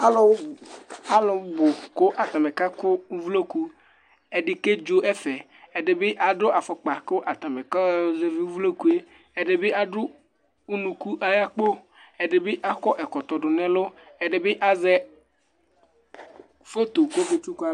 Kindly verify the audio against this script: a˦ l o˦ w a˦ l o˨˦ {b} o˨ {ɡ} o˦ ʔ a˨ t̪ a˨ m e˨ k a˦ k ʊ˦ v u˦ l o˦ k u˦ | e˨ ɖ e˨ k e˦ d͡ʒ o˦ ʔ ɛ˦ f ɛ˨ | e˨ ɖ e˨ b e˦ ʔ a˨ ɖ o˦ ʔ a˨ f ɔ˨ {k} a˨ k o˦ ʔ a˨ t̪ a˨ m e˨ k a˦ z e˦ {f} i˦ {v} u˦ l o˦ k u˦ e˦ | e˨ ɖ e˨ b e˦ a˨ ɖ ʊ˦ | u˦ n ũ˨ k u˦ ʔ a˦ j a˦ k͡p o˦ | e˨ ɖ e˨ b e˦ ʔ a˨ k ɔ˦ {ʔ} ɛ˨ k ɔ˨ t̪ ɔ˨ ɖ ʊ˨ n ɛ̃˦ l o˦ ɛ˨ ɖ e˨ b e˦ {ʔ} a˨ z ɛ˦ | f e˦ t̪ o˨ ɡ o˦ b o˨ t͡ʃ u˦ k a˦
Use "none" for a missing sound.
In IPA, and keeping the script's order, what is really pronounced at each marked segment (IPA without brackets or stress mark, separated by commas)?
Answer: b, k, k͡p, v, v, ʔ, ʔ